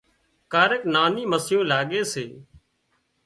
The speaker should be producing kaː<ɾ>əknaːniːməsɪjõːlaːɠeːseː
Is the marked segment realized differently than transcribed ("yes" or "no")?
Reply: no